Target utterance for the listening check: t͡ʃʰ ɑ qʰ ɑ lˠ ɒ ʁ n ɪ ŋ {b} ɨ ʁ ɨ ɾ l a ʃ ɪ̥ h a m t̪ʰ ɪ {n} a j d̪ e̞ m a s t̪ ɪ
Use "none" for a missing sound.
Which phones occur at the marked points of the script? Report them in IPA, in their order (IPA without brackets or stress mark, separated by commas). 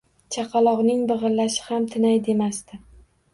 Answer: b, n